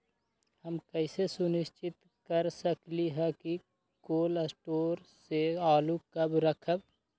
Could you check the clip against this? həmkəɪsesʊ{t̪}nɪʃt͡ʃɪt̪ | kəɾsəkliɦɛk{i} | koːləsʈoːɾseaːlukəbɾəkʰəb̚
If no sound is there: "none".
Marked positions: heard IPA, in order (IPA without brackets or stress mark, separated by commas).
none, i